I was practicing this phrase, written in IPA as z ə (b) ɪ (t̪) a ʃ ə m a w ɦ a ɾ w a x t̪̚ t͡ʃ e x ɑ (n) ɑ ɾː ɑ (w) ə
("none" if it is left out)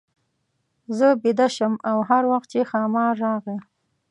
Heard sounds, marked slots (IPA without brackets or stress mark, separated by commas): b, d̪, m, ɣ